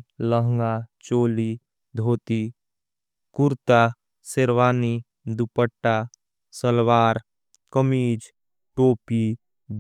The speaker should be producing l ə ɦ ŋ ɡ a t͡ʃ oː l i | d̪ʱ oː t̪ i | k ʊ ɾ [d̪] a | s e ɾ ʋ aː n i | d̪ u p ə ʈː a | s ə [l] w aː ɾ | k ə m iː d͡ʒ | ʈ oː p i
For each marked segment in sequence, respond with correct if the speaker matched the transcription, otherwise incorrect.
incorrect: t̪, correct

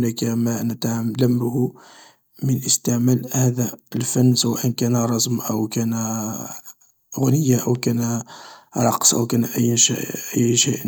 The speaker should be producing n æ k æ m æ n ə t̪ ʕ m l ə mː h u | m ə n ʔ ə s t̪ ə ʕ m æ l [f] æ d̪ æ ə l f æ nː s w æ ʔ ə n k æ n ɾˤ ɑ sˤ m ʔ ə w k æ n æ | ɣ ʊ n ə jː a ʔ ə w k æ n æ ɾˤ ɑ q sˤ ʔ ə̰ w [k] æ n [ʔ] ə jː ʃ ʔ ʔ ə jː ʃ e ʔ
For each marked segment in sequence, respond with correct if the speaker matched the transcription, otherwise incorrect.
incorrect: h, correct, correct

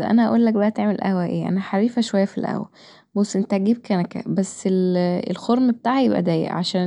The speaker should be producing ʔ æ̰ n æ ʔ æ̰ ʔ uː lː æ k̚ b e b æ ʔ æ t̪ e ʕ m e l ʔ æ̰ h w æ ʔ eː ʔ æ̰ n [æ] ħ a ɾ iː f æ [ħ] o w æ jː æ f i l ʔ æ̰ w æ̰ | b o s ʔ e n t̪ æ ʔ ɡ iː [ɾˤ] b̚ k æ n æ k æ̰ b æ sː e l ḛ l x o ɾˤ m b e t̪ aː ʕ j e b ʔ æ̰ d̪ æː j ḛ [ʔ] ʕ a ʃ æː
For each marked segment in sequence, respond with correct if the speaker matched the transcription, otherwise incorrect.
correct, incorrect: ʃ, incorrect: none, correct

